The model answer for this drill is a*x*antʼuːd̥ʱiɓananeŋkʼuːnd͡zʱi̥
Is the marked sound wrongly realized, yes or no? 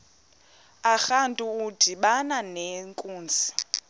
no